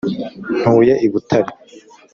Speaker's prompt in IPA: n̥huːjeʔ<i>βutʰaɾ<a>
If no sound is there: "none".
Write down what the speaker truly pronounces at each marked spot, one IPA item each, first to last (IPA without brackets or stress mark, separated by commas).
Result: i, i